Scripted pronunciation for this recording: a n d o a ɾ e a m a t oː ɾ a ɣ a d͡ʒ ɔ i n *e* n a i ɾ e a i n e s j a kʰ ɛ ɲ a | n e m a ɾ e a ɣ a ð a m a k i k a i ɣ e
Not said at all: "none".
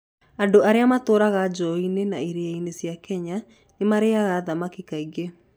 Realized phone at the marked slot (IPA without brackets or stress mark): e